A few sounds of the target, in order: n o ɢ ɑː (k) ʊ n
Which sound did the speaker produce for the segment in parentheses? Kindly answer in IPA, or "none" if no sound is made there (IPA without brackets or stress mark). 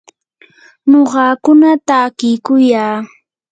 k